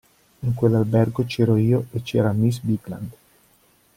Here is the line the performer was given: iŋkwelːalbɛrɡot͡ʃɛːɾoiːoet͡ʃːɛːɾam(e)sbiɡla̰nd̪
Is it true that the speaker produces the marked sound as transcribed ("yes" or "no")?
no